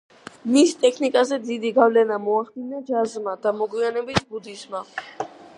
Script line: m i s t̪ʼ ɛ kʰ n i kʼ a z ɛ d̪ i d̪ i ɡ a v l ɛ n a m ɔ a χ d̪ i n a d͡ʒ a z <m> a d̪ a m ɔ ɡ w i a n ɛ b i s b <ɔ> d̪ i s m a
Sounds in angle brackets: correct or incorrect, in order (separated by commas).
correct, incorrect